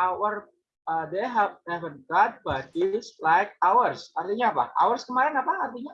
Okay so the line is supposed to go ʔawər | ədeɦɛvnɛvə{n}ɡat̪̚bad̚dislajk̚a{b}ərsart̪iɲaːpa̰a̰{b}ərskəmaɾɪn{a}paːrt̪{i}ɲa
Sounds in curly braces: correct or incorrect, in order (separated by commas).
correct, incorrect, incorrect, correct, correct